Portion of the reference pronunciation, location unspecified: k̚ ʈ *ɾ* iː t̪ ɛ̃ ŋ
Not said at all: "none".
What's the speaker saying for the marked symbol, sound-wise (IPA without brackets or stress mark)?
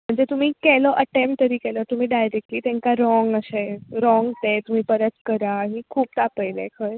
l